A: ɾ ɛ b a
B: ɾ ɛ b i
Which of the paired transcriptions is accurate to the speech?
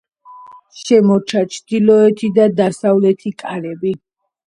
B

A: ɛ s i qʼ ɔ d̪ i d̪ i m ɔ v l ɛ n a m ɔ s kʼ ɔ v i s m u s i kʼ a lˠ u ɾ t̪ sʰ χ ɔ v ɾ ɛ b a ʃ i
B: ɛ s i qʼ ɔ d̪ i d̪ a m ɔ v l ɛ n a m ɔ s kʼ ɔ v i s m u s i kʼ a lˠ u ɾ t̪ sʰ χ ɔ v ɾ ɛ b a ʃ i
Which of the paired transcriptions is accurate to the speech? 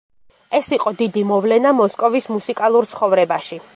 A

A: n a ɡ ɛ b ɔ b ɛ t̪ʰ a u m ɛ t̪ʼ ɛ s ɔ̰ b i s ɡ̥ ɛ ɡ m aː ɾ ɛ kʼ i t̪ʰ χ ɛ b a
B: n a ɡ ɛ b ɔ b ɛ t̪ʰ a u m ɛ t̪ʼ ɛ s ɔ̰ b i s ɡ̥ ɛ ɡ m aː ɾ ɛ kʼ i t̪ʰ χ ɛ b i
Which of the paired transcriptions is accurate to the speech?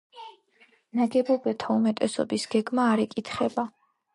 A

